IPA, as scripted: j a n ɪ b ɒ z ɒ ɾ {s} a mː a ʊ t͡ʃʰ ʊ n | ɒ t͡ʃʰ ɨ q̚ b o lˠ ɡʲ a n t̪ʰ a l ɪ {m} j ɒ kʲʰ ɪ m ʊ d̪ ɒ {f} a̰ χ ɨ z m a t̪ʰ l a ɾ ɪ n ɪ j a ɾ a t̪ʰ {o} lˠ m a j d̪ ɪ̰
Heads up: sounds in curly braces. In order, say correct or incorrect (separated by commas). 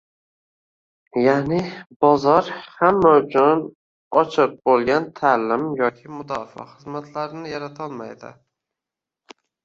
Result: incorrect, correct, correct, incorrect